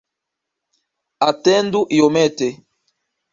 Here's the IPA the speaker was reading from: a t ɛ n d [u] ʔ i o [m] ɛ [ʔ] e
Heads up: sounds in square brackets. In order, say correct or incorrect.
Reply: correct, correct, incorrect

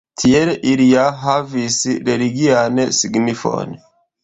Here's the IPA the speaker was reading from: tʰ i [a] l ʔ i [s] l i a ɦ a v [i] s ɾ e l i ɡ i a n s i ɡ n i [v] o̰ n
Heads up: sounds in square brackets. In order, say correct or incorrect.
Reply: incorrect, incorrect, correct, incorrect

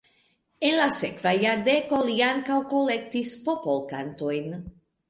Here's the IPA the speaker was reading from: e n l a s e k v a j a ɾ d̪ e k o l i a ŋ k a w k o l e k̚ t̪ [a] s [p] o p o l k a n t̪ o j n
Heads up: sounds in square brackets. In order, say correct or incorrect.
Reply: incorrect, correct

